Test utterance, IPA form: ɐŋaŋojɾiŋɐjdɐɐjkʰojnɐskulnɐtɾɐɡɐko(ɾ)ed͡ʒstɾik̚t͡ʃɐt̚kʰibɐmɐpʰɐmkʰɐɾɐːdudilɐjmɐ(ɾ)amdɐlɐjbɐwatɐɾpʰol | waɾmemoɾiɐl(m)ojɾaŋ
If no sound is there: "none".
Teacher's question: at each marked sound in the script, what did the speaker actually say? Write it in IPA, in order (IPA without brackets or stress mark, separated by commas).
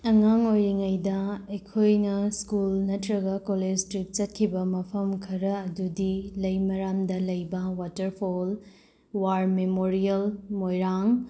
l, ɾ, m